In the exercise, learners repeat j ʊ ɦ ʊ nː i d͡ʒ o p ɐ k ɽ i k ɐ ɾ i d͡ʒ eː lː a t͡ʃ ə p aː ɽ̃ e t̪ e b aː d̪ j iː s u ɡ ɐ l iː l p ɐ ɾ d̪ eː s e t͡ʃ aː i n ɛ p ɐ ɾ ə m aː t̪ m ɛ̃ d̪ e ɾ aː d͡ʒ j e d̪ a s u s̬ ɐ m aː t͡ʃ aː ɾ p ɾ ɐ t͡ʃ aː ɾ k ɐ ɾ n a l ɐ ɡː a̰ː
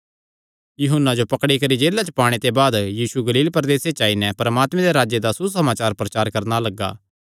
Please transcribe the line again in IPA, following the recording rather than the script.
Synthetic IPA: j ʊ ɦ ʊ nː a d͡ʒ o p ɐ k ɽ i k ɐ ɾ i d͡ʒ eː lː a t͡ʃ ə p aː ɽ̃ e t̪ e b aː d̪ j iː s u ɡ ɐ l iː l p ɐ ɾ d̪ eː s e t͡ʃ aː i n ɛ p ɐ ɾ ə m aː t̪ m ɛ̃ d̪ e ɾ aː d͡ʒ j e d̪ a s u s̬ ɐ m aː t͡ʃ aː ɾ p ɾ ɐ t͡ʃ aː ɾ k ɐ ɾ n a l ɐ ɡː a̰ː